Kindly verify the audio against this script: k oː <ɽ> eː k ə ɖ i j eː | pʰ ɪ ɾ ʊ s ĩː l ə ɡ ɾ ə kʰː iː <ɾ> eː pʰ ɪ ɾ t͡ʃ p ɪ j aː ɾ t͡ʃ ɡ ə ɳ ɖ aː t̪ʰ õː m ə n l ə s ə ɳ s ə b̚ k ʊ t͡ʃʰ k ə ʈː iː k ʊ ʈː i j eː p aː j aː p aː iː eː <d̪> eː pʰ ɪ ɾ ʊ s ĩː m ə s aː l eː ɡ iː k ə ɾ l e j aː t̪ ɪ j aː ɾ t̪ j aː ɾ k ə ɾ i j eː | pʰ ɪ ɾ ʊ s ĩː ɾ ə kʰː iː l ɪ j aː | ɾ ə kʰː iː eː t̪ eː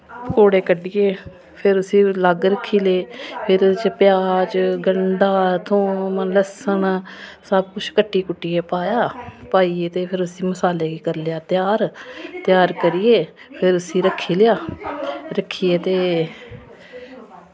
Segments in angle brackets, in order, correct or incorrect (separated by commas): correct, incorrect, incorrect